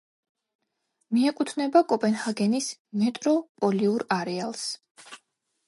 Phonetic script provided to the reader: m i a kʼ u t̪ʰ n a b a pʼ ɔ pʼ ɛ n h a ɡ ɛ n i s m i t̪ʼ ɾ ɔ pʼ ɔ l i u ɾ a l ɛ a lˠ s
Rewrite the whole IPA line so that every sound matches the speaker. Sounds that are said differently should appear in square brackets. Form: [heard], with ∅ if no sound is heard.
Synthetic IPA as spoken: m i [ɛ] kʼ u t̪ʰ n [ɛ] b a [kʼ] ɔ pʼ ɛ n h a ɡ ɛ n i s m [ɛ] t̪ʼ ɾ ɔ pʼ ɔ l i u ɾ a [ɾ] ɛ a lˠ s